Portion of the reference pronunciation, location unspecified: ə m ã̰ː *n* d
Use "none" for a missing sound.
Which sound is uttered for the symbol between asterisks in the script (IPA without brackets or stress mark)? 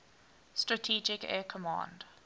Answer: n